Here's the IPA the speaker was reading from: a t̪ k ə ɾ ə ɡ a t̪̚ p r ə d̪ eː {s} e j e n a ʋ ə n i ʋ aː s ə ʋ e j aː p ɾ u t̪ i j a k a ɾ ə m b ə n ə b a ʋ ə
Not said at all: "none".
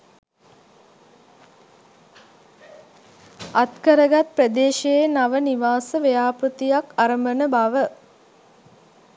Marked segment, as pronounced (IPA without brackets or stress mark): ʃ